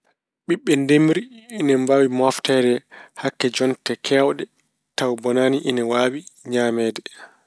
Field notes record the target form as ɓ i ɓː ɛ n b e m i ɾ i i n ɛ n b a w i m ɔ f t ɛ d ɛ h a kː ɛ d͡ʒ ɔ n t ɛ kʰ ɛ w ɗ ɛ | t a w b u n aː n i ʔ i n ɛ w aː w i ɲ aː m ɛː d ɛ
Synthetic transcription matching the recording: ɓ i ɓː ɛ n d e m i ɾ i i n ɛ m b a w i m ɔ f t ɛ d ɛ h a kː ɛ d͡ʒ ɔ n t ɛ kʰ ɛ w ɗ ɛ | t a w b ɔ n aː n i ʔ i n ɛ w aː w i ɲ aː m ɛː d ɛ